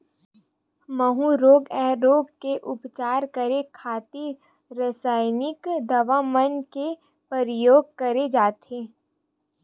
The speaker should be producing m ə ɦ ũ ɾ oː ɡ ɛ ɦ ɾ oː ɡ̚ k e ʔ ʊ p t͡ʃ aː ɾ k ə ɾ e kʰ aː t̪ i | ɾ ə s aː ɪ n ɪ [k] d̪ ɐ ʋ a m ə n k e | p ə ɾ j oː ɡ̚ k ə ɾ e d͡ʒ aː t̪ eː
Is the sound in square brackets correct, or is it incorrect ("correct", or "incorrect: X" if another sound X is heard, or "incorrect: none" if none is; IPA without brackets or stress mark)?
correct